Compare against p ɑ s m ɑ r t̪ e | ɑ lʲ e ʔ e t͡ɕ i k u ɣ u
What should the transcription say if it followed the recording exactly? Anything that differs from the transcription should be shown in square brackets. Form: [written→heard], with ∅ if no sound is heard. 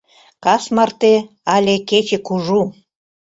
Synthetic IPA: [p→k] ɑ s m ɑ r t̪ e | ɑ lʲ e [ʔ→k] e t͡ɕ [i→e] k u [ɣ→ʒ] u